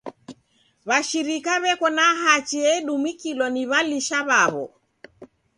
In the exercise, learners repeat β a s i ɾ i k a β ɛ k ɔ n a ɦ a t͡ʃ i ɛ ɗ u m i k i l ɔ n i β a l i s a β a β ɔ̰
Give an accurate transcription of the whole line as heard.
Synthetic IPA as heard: β a ʃ i ɾ i k a β ɛ k ɔ n a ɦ a t͡ʃ i ɛ ɗ u m i k i l ɔ n i β a l i ʃ a β a β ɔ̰